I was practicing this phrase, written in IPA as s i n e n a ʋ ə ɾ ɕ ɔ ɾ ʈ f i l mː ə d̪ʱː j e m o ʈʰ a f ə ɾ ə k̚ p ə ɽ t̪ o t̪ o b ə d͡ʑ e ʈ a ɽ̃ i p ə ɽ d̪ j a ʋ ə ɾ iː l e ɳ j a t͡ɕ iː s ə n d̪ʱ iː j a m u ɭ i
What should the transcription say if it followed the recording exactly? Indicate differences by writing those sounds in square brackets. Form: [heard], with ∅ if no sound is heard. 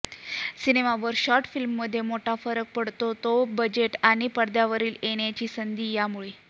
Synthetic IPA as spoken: s i n e [m] a ʋ ə ɾ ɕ ɔ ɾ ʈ f i l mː ə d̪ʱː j e m o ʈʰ a f ə ɾ ə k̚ p ə ɽ t̪ o t̪ o b ə d͡ʑ e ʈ a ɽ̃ i p ə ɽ d̪ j a ʋ ə ɾ iː l e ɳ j a t͡ɕ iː s ə n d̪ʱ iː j a m u ɭ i